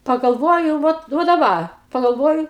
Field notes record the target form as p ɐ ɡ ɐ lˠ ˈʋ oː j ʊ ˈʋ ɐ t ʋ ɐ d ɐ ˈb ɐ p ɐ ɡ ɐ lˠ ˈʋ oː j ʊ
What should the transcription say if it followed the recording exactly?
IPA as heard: p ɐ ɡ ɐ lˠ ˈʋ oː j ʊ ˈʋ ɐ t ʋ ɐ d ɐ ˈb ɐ p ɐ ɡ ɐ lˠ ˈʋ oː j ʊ